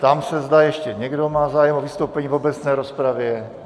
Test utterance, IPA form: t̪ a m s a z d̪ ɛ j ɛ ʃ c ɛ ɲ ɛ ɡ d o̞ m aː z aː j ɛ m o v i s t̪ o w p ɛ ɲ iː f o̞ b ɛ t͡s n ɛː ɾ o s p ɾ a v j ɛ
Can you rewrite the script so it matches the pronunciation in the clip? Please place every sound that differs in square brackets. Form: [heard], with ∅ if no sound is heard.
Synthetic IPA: t̪ a m s [ɛ] z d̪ [a] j ɛ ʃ c ɛ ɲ ɛ ɡ d o̞ m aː z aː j ɛ m o v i s t̪ o w p ɛ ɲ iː [v] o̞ b ɛ t͡s n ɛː ɾ o s p ɾ a v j ɛ